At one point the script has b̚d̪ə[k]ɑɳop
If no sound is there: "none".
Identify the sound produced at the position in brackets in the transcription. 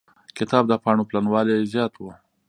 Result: p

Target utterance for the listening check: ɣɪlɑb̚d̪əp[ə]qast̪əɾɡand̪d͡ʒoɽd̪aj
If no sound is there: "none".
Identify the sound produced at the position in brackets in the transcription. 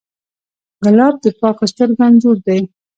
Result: ɑ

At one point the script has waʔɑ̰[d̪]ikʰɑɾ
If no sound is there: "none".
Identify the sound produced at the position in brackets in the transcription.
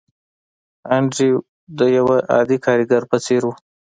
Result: d̪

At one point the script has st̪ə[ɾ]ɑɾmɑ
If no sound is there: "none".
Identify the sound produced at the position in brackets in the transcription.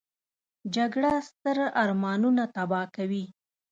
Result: ɾ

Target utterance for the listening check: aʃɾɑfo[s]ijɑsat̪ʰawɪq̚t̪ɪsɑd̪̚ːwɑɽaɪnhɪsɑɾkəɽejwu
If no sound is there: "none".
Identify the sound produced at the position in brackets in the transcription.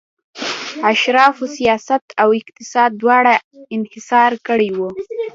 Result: s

